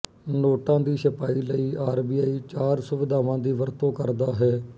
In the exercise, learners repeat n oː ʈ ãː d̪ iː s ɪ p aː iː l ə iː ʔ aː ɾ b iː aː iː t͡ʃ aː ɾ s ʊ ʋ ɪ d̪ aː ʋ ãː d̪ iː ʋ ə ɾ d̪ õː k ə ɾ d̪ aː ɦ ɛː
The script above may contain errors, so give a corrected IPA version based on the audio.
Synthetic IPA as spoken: n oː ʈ ãː d̪ iː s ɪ p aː iː l ə iː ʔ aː ɾ b iː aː iː t͡ʃ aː ɾ s ʊ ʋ ɪ d̪ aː ʋ ãː d̪ iː ʋ ə ɾ t̪ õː k ə ɾ d̪ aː ɦ ɛː